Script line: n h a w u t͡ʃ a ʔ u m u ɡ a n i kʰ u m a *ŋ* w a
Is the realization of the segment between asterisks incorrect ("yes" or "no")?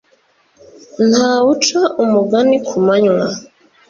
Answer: yes